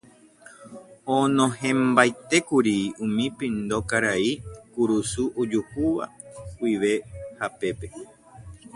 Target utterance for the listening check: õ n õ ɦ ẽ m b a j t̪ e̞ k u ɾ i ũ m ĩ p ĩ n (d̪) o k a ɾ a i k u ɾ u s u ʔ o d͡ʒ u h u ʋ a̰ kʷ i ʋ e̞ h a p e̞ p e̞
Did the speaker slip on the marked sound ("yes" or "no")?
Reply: no